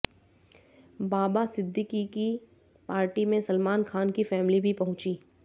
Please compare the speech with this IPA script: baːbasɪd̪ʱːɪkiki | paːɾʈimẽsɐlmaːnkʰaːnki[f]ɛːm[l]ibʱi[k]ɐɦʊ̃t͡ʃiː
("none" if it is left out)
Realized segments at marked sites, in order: f, l, p

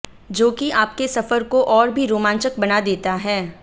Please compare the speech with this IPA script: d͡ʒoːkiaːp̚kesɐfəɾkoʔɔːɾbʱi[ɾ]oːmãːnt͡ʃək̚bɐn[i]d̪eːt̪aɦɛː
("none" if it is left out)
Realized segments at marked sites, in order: ɾ, a

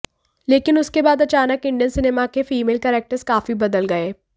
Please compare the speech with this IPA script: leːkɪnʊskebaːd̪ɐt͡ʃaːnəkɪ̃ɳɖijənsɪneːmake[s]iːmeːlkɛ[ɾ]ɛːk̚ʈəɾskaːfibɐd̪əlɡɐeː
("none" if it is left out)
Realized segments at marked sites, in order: f, ɾ

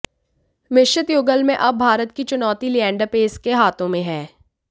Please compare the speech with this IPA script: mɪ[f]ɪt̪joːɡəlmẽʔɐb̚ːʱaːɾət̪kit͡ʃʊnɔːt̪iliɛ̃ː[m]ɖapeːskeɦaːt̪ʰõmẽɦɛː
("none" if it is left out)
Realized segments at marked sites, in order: ʃ, ɳ

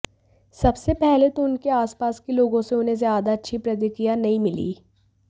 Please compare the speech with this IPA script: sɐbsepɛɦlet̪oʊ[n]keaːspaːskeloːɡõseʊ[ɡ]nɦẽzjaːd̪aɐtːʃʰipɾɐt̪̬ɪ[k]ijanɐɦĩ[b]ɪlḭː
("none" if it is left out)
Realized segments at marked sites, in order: n, none, k, m

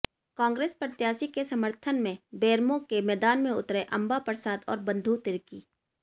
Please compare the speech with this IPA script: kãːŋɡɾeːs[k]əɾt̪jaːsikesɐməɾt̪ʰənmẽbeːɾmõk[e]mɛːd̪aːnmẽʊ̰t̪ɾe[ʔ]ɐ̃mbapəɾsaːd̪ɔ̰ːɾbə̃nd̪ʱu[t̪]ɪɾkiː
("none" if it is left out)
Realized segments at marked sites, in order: p, e, ʔ, t̪

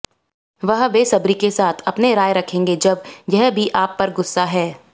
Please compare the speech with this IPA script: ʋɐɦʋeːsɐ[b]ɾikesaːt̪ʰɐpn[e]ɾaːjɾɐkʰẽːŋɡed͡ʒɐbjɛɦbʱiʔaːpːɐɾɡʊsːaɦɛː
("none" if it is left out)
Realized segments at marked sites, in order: b, e

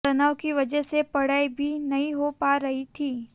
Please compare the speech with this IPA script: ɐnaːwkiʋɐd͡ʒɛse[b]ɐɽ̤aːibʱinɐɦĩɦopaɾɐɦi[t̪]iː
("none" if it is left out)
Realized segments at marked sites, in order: p, t̪ʰ

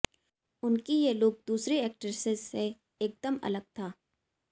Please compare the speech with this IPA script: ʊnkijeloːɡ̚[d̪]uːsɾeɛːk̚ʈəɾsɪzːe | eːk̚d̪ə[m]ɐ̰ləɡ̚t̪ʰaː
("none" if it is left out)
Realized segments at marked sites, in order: d̪, m

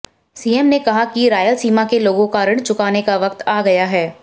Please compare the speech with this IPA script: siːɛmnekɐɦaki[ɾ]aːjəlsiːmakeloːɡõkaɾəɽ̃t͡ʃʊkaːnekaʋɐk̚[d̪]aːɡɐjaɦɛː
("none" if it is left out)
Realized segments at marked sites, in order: ɾ, t̪

